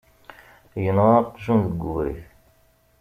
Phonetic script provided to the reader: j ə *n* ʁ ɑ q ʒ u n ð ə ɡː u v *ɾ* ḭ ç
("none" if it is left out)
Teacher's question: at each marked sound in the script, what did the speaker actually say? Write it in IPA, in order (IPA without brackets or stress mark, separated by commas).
n, ɾ